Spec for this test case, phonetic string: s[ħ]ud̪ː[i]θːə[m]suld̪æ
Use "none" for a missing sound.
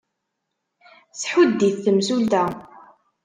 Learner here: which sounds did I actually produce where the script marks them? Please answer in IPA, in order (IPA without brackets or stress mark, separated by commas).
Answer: ħ, i, m